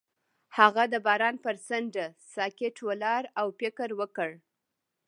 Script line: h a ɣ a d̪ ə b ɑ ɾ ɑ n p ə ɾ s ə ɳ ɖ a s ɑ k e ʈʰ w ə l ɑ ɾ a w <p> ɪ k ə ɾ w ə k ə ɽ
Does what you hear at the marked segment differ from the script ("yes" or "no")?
no